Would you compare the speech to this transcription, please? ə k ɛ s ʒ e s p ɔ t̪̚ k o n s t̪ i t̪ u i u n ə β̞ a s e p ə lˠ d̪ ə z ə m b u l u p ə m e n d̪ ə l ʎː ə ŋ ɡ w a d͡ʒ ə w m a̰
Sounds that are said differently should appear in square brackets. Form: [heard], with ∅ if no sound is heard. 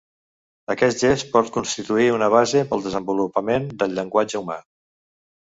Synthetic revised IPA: ə k ɛ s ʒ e s p ɔ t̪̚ k [u] n s t̪ i t̪ u i u n ə β̞ a [z] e p ə lˠ d̪ ə z ə m b u l u p ə m e n d̪ ə l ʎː ə ŋ ɡ w a d͡ʒ ə [u] m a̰